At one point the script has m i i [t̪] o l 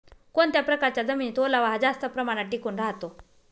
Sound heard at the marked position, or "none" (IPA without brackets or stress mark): t̪